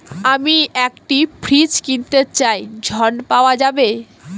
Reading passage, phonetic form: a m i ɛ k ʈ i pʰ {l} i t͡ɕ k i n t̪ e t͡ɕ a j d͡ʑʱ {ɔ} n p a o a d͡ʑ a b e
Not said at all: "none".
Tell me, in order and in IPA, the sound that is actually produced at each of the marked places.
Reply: ɾ, ɔ

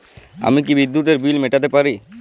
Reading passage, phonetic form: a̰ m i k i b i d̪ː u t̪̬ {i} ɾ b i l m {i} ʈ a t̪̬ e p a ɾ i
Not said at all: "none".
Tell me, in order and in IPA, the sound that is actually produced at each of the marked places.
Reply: e, e

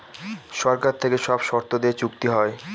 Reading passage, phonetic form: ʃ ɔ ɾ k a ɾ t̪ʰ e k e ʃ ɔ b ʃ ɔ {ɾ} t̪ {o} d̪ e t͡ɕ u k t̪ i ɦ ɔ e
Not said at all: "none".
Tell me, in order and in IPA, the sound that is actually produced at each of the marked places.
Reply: ɾ, o

